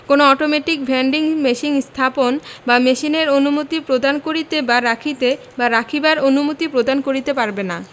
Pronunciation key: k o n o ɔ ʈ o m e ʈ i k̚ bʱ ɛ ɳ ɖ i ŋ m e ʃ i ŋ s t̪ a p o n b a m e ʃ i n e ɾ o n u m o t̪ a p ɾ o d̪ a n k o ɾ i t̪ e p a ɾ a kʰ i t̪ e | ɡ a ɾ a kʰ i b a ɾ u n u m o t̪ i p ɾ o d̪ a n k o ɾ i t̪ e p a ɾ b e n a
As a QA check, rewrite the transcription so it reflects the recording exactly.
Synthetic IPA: k o n o ɔ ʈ o m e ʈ i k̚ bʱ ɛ ɳ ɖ i ŋ m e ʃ i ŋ s t̪ʰ a p o n b a m e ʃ i n e ɾ o n u m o t̪ i p ɾ o d̪ a n k o ɾ i t̪ e b a ɾ a kʰ i t̪ e | b a ɾ a kʰ i b a ɾ o n u m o t̪ i p ɾ o d̪ a n k o ɾ i t̪ e p a ɾ b e n a